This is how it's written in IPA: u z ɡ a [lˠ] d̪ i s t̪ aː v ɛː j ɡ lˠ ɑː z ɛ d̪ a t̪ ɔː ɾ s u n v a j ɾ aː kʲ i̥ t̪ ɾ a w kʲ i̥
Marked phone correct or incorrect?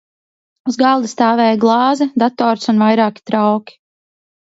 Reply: correct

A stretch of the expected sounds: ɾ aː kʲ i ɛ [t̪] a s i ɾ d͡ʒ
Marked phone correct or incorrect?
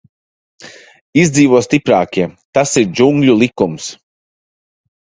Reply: correct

